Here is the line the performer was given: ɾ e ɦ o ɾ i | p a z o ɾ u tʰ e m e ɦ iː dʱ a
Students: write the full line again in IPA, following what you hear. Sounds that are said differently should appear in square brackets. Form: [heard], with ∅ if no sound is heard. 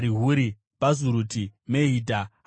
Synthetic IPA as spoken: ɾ [i] ɦ [u] ɾ i | p a z [u] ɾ u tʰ [i] m e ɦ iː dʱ a